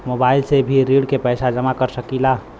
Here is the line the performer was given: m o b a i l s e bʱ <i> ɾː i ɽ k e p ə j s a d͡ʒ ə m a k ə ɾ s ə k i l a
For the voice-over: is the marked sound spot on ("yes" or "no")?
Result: yes